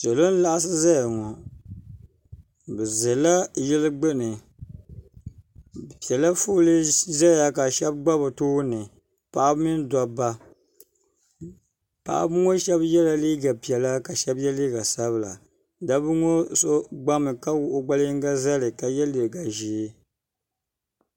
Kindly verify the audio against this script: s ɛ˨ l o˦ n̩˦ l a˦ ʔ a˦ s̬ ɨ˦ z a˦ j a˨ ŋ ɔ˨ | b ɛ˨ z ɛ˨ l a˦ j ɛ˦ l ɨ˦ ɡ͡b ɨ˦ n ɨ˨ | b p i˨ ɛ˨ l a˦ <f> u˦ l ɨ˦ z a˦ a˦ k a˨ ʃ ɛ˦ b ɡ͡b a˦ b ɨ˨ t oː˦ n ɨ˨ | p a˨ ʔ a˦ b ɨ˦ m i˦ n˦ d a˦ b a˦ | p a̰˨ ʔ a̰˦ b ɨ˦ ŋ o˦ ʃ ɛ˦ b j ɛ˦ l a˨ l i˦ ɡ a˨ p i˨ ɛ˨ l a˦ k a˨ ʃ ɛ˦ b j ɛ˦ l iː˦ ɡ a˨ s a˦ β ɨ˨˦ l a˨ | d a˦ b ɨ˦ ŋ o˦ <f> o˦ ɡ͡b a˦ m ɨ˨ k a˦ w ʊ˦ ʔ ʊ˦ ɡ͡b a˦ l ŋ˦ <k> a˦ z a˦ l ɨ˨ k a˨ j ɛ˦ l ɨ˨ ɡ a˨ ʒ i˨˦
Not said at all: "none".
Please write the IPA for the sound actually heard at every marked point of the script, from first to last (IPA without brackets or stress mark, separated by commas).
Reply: f, s, ɡ